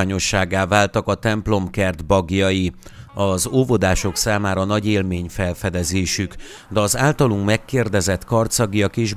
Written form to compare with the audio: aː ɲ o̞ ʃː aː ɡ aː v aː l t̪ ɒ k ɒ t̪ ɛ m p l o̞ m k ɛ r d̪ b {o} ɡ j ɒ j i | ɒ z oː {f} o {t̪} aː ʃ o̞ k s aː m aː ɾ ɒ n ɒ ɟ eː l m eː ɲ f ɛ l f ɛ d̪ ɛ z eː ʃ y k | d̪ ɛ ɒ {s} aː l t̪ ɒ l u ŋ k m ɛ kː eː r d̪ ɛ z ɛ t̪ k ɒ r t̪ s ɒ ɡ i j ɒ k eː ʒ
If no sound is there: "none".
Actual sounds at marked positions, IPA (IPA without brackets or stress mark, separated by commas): ɒ, v, d̪, z